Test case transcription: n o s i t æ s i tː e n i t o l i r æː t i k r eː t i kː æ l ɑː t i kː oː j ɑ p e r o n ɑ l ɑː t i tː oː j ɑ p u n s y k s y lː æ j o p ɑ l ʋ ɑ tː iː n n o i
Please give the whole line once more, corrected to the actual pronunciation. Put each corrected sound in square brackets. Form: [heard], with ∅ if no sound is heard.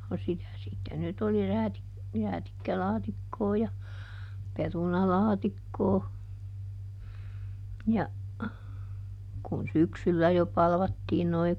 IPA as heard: n o s i t æ s i tː e n [y] t o l i r æː t i k r [æː] t i kː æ l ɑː t i kː oː j ɑ p e r [u] n ɑ l ɑː t i [kː] oː j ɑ [k] u n s y k s y lː æ j o p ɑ l ʋ ɑ tː iː n n o i